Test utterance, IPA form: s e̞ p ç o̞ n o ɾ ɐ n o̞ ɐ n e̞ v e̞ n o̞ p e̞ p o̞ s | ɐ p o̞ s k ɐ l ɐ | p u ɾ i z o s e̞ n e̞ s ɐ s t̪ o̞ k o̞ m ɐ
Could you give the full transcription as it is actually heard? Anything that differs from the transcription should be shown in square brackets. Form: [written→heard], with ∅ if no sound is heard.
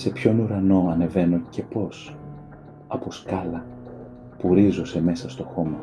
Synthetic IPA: s e̞ p ç o̞ n [o→u] ɾ ɐ n o̞ ɐ n e̞ v e̞ n o̞ [p→c] e̞ p o̞ s | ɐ p o̞ s k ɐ l ɐ | p u ɾ i z o s e̞ [n→m] e̞ s ɐ s t̪ o̞ [k→x] o̞ m ɐ